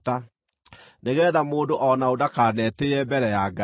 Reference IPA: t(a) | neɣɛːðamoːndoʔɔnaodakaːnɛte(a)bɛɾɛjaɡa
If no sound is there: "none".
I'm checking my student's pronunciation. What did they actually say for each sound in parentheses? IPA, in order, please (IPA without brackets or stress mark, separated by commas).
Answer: a, ɛ